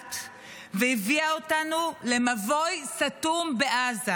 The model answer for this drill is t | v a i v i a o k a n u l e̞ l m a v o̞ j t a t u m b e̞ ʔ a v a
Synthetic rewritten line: t | v e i v i a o t a n u l e̞ m a v o̞ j s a t u m b e̞ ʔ a z a